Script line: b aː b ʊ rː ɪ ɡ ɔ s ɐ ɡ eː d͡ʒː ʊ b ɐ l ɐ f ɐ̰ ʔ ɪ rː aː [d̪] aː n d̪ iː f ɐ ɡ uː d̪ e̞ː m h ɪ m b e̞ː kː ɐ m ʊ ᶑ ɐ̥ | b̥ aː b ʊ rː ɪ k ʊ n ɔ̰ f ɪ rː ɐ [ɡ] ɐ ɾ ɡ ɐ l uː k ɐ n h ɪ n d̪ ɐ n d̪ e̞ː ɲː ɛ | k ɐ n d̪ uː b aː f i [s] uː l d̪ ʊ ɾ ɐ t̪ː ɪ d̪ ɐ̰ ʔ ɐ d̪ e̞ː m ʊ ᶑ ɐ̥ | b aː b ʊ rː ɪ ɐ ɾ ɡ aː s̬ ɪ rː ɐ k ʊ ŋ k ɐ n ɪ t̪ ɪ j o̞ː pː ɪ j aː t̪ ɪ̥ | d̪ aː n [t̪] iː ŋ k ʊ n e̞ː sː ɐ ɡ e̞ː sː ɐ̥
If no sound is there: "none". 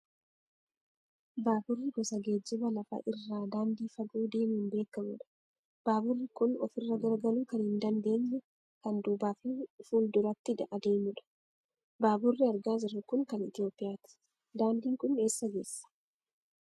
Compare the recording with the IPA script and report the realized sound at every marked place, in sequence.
d̪, ɡ, f, d̪

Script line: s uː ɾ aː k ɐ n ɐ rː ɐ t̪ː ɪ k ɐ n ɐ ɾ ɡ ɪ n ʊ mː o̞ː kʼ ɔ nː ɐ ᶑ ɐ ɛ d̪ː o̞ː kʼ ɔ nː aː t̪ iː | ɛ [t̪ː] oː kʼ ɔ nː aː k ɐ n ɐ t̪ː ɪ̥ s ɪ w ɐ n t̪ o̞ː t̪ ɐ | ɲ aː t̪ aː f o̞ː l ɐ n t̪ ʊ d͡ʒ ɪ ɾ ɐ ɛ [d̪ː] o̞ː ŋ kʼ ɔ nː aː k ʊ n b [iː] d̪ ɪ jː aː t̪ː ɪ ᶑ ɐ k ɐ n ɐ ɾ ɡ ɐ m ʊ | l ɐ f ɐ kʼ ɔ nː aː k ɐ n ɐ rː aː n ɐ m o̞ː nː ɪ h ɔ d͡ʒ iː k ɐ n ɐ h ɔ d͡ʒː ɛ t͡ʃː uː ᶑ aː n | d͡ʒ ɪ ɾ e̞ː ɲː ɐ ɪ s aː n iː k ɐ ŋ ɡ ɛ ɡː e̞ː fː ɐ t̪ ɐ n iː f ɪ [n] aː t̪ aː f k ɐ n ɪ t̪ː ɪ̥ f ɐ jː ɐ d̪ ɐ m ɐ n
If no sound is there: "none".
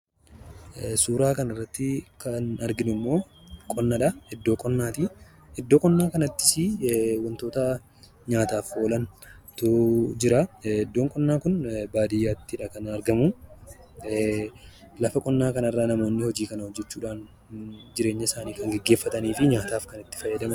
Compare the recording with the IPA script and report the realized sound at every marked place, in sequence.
d̪ː, d̪ː, aː, ɲ

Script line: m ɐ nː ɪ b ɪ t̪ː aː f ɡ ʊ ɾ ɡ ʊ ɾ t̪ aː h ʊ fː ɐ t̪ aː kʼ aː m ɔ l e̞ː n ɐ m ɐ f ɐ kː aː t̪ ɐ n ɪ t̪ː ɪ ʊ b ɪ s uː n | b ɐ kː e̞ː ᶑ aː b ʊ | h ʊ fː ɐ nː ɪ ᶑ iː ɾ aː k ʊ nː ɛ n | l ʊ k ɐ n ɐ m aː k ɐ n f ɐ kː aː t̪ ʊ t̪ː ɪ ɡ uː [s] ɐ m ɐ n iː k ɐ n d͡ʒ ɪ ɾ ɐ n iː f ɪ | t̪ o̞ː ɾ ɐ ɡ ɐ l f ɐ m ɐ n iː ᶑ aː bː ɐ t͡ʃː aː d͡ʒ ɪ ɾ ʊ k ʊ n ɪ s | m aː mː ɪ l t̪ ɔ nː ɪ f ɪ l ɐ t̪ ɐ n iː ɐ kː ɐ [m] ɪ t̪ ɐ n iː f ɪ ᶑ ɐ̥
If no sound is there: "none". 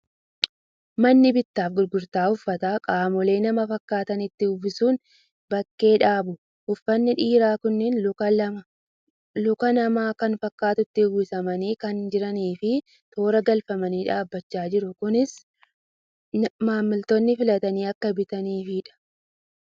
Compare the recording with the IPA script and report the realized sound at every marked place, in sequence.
s, b

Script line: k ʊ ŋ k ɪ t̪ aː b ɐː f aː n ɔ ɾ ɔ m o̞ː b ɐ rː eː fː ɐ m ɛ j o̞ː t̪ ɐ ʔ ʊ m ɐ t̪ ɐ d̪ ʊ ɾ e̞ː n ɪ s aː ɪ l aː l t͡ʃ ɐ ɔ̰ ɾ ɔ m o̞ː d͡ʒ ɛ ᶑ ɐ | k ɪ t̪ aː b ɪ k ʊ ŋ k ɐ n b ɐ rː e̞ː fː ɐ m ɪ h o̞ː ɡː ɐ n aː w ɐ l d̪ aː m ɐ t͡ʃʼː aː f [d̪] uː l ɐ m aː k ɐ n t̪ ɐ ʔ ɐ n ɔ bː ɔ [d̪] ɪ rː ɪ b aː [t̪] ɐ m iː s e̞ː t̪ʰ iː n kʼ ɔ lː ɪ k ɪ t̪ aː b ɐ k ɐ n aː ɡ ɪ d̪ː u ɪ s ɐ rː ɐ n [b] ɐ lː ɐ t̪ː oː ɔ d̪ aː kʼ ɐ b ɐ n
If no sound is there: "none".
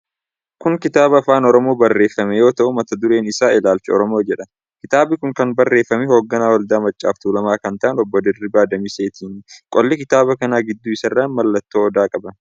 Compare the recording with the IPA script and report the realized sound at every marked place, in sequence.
t̪, d̪, d̪, m

